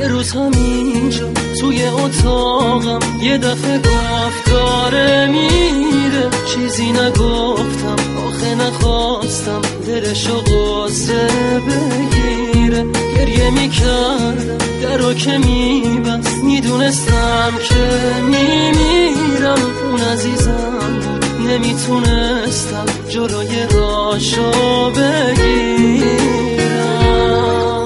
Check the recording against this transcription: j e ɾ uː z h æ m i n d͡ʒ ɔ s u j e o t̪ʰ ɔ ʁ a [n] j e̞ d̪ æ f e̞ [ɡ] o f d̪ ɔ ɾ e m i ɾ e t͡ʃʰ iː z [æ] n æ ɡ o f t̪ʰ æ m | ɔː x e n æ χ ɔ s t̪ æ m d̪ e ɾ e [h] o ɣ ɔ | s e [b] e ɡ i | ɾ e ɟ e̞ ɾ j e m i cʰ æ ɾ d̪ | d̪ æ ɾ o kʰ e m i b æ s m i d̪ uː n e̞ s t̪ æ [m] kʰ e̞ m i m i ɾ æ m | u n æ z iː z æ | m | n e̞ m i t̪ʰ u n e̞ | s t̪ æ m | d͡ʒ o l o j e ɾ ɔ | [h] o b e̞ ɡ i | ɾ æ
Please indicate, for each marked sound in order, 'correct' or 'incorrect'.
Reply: incorrect: m, correct, incorrect: i, incorrect: ʃ, correct, correct, incorrect: ʃ

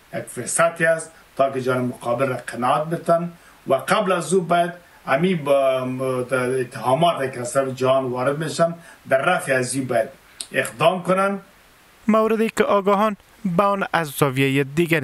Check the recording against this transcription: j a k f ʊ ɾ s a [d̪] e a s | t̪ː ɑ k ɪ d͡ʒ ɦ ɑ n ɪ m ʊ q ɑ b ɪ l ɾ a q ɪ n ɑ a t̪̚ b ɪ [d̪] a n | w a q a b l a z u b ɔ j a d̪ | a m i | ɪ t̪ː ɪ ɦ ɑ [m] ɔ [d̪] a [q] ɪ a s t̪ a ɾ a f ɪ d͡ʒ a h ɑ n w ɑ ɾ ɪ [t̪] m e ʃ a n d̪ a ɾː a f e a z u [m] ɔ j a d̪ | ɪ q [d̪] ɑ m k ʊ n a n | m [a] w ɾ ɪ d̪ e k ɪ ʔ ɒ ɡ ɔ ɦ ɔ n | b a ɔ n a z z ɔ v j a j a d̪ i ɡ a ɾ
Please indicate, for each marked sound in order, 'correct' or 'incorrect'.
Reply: incorrect: t̪, incorrect: t̪, correct, incorrect: t̪, incorrect: k, incorrect: d̪, incorrect: b, correct, correct

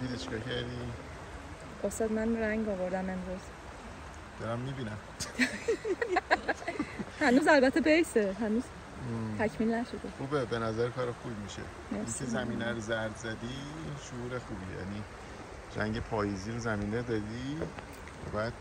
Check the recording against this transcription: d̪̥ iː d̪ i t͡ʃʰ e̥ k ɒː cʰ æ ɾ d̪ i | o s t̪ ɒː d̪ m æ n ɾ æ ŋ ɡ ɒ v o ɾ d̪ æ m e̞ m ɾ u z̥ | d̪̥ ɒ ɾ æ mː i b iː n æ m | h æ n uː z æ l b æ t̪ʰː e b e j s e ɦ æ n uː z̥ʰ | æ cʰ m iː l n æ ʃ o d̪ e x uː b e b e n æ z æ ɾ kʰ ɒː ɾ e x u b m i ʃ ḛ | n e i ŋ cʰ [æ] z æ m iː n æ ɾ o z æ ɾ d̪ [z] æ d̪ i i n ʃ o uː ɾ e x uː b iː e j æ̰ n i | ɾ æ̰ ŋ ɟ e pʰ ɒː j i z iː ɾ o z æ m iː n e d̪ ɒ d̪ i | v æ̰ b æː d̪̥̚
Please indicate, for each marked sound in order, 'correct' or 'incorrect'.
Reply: incorrect: e, correct

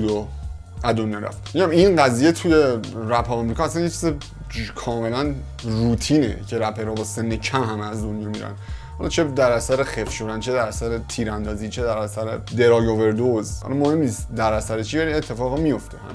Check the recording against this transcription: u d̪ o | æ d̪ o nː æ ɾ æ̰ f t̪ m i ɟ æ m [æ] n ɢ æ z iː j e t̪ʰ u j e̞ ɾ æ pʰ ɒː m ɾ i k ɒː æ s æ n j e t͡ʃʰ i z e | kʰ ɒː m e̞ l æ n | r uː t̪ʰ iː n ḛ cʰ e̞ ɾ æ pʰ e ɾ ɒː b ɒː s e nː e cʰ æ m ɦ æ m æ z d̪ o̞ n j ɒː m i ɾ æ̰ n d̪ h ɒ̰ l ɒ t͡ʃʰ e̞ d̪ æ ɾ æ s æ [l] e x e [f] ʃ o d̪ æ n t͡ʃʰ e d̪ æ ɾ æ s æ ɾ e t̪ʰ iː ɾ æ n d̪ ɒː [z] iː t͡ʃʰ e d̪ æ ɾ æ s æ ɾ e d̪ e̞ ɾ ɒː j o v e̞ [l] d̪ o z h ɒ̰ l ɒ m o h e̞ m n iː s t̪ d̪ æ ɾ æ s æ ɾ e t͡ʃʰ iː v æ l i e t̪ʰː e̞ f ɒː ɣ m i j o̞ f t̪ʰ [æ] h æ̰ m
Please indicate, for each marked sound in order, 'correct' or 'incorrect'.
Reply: incorrect: i, incorrect: ɾ, correct, correct, incorrect: ɾ, incorrect: e

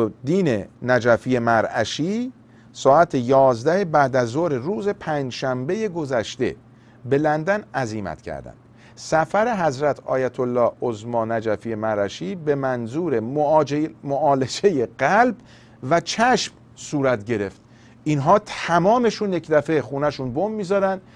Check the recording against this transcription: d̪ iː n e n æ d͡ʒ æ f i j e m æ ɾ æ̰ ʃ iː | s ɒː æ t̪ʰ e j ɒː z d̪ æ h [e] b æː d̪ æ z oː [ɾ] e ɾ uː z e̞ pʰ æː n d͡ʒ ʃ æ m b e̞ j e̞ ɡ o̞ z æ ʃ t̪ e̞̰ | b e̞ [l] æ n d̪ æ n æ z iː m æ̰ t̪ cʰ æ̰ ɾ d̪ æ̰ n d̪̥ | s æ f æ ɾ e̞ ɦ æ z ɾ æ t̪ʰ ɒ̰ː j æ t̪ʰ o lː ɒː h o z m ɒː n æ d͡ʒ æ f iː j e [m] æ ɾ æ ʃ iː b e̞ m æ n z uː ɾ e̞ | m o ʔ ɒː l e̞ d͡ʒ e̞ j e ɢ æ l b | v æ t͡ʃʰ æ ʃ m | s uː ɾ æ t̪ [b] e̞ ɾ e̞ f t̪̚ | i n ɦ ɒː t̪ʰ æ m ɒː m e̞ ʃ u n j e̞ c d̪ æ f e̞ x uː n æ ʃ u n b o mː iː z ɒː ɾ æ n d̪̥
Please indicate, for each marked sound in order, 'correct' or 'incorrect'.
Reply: correct, correct, correct, correct, incorrect: ɟ

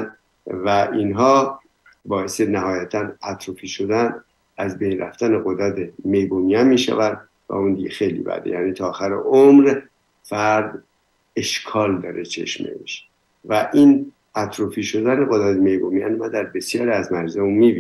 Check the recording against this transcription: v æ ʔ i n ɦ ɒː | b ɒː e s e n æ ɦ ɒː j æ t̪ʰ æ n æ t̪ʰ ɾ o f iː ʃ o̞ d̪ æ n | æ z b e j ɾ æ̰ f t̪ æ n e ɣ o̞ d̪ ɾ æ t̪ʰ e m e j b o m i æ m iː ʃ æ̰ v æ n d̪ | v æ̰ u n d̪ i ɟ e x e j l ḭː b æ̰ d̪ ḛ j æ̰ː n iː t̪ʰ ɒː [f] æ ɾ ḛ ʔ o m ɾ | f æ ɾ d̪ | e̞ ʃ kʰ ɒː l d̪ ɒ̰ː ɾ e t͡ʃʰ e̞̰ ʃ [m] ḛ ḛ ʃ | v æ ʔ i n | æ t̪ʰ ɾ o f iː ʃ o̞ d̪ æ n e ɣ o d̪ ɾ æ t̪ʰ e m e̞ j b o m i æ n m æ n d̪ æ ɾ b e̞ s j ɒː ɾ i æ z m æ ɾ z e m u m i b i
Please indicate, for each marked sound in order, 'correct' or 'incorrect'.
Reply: incorrect: x, correct

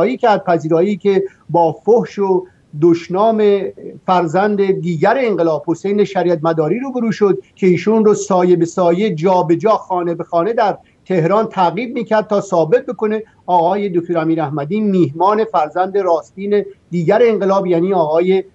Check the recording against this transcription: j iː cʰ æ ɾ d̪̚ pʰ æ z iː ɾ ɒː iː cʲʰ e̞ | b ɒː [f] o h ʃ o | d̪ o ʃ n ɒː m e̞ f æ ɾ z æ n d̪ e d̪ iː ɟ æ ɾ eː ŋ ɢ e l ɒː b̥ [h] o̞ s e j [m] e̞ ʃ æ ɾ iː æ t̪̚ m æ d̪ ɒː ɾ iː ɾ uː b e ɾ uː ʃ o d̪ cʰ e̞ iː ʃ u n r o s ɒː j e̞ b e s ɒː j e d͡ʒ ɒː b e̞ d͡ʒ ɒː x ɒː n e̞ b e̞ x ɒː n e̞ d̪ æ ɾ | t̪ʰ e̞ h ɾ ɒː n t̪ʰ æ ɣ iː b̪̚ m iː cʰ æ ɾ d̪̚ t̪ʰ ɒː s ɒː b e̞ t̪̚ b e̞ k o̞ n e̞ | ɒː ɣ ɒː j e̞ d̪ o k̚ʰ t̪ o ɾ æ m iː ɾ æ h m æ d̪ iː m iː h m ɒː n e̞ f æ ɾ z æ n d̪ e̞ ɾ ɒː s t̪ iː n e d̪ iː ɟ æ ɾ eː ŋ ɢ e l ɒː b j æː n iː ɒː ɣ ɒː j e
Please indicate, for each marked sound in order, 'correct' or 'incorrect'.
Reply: correct, correct, incorrect: n

